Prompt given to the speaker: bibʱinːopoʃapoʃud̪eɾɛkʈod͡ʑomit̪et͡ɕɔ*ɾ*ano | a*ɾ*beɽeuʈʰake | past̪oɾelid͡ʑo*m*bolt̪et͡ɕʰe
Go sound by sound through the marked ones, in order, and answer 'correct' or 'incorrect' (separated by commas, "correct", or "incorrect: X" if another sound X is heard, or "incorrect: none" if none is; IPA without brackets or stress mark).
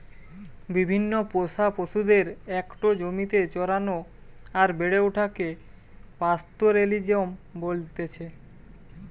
correct, correct, correct